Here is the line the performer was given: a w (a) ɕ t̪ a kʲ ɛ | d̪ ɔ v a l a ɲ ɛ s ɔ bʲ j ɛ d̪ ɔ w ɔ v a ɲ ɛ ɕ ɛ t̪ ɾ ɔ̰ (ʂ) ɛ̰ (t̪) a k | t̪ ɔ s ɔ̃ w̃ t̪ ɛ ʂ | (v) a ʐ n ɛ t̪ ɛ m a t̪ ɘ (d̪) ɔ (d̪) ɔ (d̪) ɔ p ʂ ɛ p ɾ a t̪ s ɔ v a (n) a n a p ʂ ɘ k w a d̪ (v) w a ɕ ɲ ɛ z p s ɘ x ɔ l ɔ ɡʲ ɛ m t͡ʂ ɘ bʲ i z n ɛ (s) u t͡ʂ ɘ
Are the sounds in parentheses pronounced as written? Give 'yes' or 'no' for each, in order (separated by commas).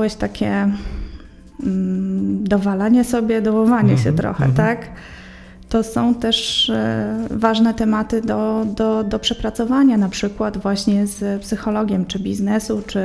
no, no, yes, yes, yes, yes, yes, no, yes, yes